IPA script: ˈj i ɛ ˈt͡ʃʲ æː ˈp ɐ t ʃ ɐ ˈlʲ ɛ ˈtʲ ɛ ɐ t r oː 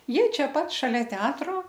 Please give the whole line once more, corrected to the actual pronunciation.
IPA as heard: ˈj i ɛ ˈt͡ʃʲ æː ˈp ɐ t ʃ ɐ ˈlʲ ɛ ˈtʲ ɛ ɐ t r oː